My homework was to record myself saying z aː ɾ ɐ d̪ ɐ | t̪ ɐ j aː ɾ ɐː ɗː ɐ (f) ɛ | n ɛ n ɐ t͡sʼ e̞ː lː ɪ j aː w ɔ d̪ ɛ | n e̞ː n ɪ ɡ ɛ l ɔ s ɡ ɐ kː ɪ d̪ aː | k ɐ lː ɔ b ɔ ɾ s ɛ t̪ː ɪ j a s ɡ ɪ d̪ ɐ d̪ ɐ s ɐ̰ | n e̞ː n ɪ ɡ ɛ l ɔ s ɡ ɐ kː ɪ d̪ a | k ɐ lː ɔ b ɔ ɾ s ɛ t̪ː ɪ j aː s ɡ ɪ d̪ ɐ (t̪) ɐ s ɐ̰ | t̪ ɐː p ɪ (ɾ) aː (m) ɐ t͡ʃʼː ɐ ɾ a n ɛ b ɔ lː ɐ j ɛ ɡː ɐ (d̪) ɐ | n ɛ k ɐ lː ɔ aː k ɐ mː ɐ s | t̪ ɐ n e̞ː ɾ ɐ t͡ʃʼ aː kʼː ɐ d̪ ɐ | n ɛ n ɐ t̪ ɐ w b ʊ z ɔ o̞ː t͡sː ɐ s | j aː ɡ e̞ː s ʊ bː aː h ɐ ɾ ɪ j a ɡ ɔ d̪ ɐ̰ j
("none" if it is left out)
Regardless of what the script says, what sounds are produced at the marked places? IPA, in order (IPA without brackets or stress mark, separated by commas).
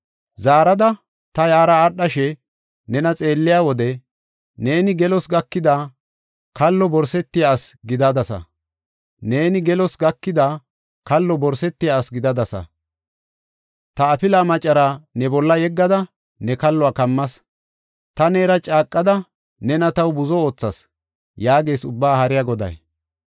ʃ, d̪, l, m, d̪